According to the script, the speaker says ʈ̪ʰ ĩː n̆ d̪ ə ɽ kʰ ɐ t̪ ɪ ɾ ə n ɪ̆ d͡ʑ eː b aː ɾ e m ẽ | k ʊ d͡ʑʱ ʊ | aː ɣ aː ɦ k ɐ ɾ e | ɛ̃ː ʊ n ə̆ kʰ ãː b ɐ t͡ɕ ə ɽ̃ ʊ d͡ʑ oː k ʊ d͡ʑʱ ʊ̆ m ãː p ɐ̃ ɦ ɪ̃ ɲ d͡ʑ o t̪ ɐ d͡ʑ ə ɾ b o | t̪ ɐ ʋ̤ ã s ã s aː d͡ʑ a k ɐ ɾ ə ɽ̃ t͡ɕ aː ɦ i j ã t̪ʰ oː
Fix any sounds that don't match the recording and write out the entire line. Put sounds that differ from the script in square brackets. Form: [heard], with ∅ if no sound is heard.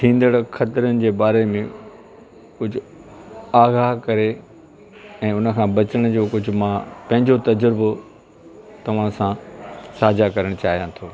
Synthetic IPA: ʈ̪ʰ ĩː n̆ d̪ ə ɽ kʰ ɐ t̪ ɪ ɾ ə n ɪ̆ d͡ʑ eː b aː ɾ e m ẽ | k ʊ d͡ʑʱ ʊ | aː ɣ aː ɦ k ɐ ɾ e | ɛ̃ː ʊ n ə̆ kʰ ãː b ɐ t͡ɕ ə ɽ̃ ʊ d͡ʑ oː k ʊ d͡ʑʱ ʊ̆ m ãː p ɐ̃ ɦ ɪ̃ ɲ d͡ʑ o t̪ ɐ d͡ʑ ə ɾ b o | t̪ ɐ ʋ̤ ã s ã s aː d͡ʑ a k ɐ ɾ ə ɽ̃ t͡ɕ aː ɦ i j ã t̪ʰ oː

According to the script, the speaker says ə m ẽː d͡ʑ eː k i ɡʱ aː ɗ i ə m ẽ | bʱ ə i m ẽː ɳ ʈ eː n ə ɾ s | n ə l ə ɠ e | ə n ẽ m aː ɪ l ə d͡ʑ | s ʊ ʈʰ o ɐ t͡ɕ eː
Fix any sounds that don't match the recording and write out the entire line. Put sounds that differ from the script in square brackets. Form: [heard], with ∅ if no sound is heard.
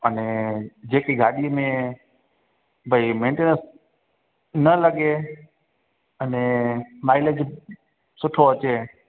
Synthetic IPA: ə [n] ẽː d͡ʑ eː k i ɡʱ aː ɗ i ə m ẽ | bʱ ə i m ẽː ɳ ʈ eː n ə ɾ s | n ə l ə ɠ e | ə n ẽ m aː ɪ l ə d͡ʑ | s ʊ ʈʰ o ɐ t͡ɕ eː

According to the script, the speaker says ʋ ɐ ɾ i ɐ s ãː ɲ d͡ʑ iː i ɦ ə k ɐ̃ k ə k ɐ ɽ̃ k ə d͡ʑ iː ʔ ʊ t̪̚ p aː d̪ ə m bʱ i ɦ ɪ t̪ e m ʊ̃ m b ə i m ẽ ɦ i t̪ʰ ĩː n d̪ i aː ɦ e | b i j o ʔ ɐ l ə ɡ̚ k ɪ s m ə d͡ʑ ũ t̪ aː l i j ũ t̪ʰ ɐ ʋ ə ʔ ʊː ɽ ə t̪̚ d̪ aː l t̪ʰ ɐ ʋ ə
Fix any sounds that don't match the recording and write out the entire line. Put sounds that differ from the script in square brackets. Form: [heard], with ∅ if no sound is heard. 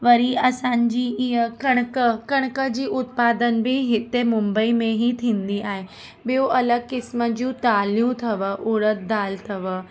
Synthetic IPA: ʋ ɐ ɾ i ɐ s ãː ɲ d͡ʑ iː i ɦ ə k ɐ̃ k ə k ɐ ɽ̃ k ə d͡ʑ iː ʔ ʊ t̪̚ p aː d̪ ə [n] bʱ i ɦ ɪ t̪ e m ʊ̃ m b ə i m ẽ ɦ i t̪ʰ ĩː n d̪ i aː ɦ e | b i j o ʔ ɐ l ə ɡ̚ k ɪ s m ə d͡ʑ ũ t̪ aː l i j ũ t̪ʰ ɐ ʋ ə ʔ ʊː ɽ ə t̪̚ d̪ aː l t̪ʰ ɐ ʋ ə

